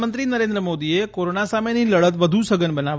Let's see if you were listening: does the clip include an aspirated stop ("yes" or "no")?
no